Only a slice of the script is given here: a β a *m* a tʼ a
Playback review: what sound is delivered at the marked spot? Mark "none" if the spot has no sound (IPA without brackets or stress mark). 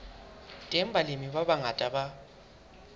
ŋ